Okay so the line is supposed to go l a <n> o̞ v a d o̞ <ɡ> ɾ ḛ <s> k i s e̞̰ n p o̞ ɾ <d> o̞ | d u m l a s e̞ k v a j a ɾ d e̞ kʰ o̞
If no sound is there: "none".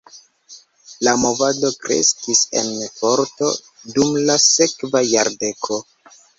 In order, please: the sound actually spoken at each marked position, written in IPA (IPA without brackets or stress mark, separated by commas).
m, k, s, t